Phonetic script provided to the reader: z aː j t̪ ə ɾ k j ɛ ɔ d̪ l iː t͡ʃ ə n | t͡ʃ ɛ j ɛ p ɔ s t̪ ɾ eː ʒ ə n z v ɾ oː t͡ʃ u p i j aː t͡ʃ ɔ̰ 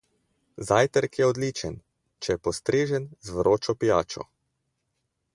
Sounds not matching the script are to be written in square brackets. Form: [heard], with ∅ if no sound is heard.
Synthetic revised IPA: z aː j t̪ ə ɾ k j ɛ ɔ d̪ l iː t͡ʃ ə n | t͡ʃ ɛ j ɛ p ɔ s t̪ ɾ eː ʒ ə n z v ɾ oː t͡ʃ [ɔ] p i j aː t͡ʃ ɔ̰